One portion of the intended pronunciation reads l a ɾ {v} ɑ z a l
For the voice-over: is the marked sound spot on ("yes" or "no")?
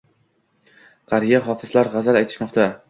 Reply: no